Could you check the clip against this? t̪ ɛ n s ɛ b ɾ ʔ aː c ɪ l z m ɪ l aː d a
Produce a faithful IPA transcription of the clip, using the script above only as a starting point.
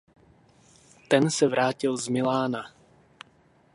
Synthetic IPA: t̪ ɛ n s ɛ v ɾ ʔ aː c ɪ l z m ɪ l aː n a